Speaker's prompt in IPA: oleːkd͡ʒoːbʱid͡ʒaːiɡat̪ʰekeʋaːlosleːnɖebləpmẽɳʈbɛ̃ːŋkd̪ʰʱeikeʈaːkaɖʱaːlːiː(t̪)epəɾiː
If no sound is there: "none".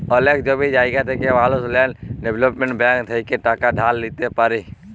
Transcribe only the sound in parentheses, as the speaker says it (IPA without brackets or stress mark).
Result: t̪